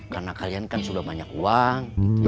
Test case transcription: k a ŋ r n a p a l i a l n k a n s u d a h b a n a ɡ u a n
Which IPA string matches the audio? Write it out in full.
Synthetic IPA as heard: k a r n a k a l i a n k a n s u d a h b a ɲ a k u a ŋ